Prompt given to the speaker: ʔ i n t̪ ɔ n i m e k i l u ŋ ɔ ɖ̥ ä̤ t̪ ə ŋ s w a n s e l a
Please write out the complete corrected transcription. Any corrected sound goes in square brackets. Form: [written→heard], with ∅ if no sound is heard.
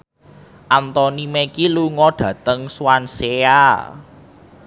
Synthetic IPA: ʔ [i→a] n t̪ ɔ n i m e k i l u ŋ ɔ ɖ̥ ä̤ t̪ ə ŋ s w a n s e [l→∅] a